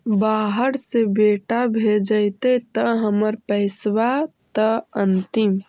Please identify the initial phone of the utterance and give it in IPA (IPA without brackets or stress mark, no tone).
b